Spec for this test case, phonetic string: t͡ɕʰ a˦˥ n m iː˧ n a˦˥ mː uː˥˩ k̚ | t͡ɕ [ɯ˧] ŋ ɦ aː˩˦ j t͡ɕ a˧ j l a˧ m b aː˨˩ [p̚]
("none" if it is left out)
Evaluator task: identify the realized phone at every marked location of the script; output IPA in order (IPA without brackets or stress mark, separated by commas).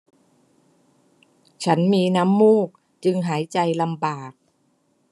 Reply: ɯ˧, k̚